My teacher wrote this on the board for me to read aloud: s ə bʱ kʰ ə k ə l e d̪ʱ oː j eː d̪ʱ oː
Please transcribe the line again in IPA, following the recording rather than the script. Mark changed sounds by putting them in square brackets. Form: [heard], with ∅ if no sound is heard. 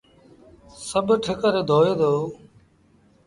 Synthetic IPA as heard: s ə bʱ [ʈʰ] ə k ə [ɾ] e d̪ʱ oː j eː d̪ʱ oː